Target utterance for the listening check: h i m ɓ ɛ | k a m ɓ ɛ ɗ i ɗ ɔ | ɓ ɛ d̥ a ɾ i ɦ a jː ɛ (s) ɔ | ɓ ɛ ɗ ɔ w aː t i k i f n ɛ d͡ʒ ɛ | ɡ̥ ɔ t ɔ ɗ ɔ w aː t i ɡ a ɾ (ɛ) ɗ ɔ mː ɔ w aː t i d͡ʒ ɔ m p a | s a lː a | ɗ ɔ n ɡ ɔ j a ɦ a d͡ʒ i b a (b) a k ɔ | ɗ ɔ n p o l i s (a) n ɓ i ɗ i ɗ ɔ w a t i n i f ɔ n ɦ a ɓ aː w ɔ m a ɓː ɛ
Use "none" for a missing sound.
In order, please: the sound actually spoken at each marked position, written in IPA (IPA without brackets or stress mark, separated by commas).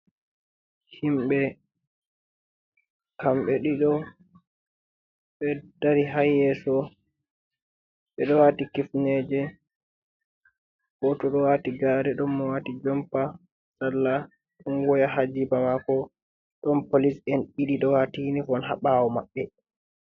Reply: s, ɛ, m, ɛ